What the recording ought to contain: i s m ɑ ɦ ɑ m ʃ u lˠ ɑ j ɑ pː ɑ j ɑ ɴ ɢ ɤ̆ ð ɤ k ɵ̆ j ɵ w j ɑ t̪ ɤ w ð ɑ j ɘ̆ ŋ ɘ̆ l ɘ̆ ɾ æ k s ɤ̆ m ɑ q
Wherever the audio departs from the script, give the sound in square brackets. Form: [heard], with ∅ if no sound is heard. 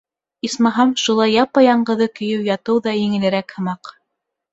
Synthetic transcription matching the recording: i s m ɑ ɦ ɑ m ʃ u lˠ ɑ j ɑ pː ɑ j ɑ ɴ ɢ ɤ̆ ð ɤ k ɵ̆ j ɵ w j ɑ t̪ ɤ w ð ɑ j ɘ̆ ŋ ɘ̆ l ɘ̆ ɾ æ k [h] ɤ̆ m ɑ q